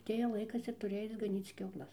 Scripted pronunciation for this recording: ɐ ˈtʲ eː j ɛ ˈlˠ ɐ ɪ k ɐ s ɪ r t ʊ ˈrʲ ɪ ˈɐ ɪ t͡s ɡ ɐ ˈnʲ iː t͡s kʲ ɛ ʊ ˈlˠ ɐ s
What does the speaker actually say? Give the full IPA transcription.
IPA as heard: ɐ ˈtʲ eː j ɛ ˈlˠ ɐ ɪ k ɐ s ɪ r t ʊ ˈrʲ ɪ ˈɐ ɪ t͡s ɡ ɐ ˈnʲ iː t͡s kʲ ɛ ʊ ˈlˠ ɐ s